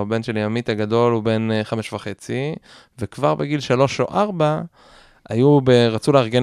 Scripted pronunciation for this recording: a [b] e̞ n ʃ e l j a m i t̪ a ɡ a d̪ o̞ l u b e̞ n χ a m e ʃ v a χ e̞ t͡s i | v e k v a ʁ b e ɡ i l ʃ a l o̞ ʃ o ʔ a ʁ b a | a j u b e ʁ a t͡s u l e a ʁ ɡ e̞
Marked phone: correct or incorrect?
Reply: correct